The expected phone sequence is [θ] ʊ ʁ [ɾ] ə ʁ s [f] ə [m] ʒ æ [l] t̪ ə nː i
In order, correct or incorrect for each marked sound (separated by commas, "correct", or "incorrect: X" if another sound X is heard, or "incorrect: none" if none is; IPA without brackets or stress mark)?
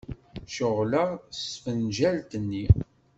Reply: incorrect: ʃ, incorrect: l, correct, incorrect: n, correct